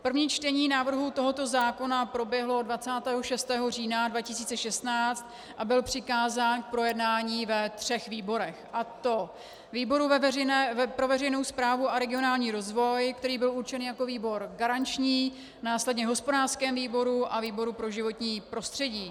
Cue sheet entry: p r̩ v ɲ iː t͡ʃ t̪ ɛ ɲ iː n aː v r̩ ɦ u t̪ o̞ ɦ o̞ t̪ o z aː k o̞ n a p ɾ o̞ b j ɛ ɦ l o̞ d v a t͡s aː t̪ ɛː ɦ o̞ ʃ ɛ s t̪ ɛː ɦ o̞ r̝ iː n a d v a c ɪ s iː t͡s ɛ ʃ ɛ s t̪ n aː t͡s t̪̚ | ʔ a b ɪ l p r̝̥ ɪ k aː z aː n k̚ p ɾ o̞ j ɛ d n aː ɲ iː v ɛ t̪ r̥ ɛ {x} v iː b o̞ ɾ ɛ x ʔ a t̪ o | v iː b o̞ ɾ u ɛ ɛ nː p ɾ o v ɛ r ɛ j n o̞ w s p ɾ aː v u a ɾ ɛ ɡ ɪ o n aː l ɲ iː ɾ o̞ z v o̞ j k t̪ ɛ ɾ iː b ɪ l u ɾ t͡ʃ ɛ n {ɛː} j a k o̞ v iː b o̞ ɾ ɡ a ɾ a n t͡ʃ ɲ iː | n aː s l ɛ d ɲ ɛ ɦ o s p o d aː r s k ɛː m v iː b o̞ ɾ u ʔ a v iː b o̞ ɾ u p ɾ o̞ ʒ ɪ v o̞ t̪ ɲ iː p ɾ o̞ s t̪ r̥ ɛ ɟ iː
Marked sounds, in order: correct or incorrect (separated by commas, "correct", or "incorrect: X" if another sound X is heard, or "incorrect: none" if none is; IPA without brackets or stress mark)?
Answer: correct, incorrect: iː